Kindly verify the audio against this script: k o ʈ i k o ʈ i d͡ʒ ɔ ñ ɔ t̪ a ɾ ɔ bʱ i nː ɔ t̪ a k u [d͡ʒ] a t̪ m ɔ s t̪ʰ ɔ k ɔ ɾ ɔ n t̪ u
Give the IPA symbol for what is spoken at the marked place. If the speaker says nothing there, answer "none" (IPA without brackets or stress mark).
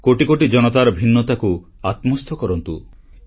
none